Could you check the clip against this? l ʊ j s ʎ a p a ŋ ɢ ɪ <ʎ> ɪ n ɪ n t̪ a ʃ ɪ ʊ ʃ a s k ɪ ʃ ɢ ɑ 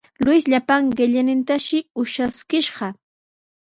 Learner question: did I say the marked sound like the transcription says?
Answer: yes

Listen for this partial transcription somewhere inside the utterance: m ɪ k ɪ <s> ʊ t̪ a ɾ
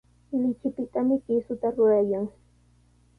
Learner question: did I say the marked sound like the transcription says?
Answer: yes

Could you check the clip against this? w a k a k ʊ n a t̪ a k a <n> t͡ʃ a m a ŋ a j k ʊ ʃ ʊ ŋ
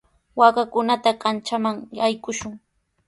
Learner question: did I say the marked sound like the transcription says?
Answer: yes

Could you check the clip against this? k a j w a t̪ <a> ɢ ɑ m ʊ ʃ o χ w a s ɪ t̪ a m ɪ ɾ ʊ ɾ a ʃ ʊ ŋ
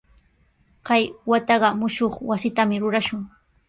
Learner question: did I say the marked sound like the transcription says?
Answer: no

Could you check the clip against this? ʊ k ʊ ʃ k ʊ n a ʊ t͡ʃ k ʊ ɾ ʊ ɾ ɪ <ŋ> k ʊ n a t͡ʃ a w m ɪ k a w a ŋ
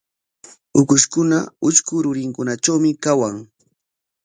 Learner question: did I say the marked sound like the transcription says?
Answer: yes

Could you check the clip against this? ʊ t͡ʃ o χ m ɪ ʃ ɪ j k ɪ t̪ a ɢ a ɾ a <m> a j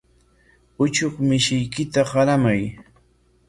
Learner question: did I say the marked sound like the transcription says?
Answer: yes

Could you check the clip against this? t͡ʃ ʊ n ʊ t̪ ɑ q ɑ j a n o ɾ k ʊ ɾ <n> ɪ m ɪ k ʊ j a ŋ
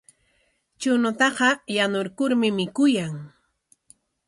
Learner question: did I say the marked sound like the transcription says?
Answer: no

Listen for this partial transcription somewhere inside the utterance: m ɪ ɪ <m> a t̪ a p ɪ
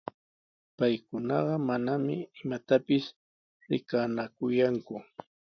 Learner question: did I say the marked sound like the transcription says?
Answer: yes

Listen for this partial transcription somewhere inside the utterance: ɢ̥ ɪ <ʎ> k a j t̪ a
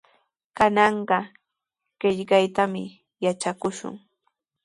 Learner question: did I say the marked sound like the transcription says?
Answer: yes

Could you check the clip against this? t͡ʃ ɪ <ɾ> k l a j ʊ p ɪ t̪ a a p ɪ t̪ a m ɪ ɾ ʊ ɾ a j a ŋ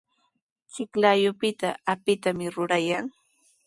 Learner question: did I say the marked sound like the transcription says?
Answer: no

